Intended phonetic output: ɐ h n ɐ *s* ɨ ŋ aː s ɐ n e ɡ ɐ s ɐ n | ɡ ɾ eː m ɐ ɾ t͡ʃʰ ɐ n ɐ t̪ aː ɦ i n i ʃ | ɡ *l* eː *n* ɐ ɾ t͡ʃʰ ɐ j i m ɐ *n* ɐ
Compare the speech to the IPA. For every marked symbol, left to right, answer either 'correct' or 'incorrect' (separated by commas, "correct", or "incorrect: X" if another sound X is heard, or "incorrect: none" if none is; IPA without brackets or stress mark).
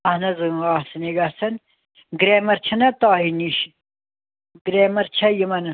incorrect: z, incorrect: ɾ, incorrect: m, correct